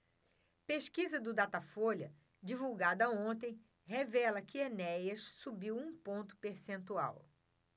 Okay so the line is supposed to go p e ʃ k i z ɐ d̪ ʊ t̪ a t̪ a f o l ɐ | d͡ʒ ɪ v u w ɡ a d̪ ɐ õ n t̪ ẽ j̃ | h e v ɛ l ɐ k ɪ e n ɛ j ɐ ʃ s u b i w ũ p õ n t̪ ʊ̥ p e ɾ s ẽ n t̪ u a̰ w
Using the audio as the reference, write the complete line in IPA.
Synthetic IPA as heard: p e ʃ k i z ɐ d̪ ʊ d̪ a t̪ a f o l ɐ | d͡ʒ i v u w ɡ a d̪ ɐ õ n t̪ ẽ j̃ | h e v ɛ l ɐ k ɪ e n ɛ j ɐ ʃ s u b i w ũ p õ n t̪ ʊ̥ p e ɾ s ẽ n t̪ u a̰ w